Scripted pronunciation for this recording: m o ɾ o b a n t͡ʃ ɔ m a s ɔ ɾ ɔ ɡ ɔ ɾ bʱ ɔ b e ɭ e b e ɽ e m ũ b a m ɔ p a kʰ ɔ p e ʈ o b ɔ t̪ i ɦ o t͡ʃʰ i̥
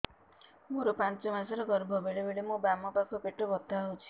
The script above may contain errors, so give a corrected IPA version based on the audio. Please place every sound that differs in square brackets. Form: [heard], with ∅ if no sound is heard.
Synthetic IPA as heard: m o ɾ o [p] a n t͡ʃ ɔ m a s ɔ ɾ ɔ ɡ ɔ ɾ bʱ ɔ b e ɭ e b e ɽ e m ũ b a m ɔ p a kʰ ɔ p e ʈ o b ɔ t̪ [a] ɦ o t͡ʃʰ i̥

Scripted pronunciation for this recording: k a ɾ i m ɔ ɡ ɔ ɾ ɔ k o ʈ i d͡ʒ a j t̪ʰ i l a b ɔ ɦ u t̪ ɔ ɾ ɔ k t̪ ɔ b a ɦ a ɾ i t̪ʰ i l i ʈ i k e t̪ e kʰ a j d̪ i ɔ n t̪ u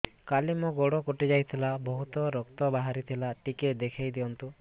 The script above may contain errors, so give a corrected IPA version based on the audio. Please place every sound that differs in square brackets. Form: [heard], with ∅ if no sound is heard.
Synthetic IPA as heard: k a [l] i m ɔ ɡ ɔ [ɽ] ɔ k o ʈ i d͡ʒ a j t̪ʰ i l a b ɔ ɦ u t̪ ɔ ɾ ɔ k t̪ ɔ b a ɦ a ɾ i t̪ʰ i l [a] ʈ i k e [d̪] e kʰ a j d̪ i ɔ n t̪ u

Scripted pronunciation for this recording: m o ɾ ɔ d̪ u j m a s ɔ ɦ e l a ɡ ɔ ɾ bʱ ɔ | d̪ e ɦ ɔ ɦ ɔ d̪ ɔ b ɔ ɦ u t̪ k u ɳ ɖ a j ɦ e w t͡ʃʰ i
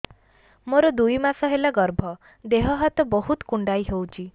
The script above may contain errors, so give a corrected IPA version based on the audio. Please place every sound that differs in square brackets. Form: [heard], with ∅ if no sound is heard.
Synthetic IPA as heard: m o ɾ ɔ d̪ u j m a s ɔ ɦ e l a ɡ ɔ ɾ bʱ ɔ | d̪ e ɦ ɔ ɦ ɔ [t̪] ɔ b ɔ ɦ u t̪ k u ɳ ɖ a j ɦ e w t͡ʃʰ i

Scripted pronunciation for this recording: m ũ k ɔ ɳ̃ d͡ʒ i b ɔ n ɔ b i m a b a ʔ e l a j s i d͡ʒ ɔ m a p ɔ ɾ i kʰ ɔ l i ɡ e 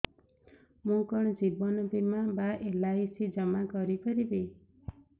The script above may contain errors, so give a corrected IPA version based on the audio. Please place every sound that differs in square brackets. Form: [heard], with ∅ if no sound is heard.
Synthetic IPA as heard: m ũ k ɔ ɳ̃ d͡ʒ i b ɔ n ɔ b i m a b a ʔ e l a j s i d͡ʒ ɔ m a [k] ɔ ɾ i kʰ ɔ [ɾ] i [b] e

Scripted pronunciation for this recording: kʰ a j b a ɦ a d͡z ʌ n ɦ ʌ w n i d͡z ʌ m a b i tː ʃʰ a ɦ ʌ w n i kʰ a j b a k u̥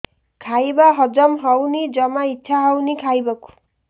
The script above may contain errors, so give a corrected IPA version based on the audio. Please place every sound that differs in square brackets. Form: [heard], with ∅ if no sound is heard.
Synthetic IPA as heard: kʰ a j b a ɦ [ʌ] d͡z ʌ [m] ɦ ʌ w n i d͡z ʌ m a [∅] i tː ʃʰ a ɦ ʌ w n i kʰ a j b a k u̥

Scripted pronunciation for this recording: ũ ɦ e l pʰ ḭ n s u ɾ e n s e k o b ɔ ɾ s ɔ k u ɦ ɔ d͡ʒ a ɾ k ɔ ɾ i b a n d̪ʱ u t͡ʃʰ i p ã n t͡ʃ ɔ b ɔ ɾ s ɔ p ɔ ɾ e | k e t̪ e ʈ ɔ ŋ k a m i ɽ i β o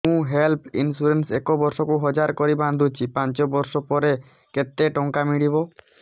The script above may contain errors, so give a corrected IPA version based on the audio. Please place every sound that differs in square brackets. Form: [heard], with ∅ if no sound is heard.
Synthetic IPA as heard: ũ ɦ e l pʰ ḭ n s u ɾ e n s e k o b ɔ ɾ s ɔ k u ɦ ɔ d͡ʒ a ɾ k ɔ ɾ i b a n d̪ʱ u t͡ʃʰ i p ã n t͡ʃ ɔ b ɔ ɾ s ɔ p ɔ ɾ e | k e t̪ e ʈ ɔ ŋ k a m i ɽ i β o

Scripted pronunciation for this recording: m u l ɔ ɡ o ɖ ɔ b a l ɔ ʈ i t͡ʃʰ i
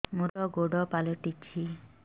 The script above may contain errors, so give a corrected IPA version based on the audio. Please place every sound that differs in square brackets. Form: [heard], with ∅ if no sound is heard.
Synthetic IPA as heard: m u [ɾ] ɔ ɡ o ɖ ɔ [p] a l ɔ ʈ i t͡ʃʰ i

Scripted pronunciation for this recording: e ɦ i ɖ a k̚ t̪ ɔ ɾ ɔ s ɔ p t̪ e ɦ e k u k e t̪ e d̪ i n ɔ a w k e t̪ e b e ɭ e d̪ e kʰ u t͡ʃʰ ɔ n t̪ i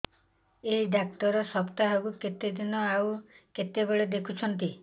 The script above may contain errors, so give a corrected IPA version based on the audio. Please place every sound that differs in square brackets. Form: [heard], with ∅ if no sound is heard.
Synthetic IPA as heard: e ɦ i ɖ a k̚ t̪ ɔ ɾ ɔ s ɔ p t̪ [a] ɦ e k u k e t̪ e d̪ i n ɔ a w k e t̪ e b e ɭ e d̪ e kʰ u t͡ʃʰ ɔ n t̪ i

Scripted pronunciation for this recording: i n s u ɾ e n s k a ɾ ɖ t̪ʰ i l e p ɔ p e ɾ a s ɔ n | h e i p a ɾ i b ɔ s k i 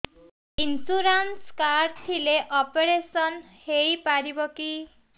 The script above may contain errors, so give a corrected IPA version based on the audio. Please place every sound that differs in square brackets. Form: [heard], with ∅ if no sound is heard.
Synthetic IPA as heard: i n s u ɾ [a] n s k a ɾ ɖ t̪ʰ i l e [ʔ] ɔ p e ɾ [e] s ɔ n | h e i p a ɾ i b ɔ [∅] k i

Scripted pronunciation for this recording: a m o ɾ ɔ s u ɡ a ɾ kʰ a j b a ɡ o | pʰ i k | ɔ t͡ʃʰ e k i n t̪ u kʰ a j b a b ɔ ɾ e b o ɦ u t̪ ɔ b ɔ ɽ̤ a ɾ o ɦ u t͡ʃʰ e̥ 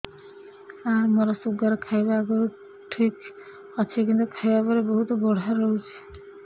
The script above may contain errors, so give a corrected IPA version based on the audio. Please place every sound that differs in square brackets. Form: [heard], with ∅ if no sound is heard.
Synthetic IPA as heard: a m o ɾ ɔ s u ɡ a ɾ kʰ a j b a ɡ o | [ʈʰ] i k | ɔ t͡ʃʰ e k i n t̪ u kʰ a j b a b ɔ ɾ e b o ɦ u t̪ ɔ b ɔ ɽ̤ a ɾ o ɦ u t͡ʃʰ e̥

